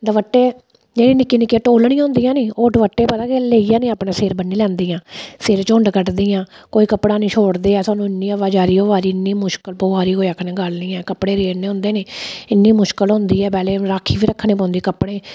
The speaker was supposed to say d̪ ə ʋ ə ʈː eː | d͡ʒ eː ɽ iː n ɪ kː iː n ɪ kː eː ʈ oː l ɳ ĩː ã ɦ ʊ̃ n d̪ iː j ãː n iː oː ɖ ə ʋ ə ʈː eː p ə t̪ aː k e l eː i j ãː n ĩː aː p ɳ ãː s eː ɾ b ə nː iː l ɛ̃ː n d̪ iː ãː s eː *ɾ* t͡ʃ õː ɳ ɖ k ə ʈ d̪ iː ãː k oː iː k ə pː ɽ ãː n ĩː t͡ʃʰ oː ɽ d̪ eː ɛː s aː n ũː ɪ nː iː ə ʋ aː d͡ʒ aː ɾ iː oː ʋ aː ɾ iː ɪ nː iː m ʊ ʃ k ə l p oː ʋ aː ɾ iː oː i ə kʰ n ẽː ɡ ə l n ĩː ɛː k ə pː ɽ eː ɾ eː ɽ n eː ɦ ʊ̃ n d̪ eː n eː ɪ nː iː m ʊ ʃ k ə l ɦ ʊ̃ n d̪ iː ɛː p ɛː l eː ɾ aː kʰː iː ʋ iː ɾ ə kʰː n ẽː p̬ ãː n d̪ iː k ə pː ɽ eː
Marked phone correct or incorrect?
correct